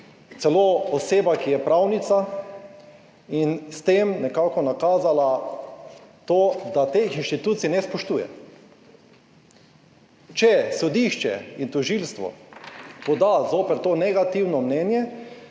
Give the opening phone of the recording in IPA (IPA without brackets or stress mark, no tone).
t̪